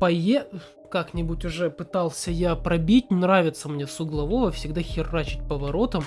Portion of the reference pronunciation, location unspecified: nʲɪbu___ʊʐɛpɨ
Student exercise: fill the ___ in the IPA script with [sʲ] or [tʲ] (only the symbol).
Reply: tʲ